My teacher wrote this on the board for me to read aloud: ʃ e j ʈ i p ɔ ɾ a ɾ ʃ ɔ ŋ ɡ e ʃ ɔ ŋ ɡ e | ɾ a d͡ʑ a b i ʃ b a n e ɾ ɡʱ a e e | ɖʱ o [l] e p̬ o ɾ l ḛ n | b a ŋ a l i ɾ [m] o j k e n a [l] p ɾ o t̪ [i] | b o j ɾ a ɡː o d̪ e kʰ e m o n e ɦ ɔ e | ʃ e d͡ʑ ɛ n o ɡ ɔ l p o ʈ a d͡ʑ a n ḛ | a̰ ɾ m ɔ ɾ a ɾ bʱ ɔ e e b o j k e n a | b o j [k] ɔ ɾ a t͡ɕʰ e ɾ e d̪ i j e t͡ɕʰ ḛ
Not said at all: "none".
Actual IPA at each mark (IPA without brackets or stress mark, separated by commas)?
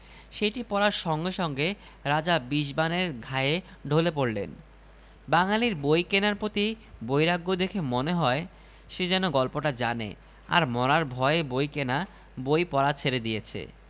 l, b, ɾ, i, p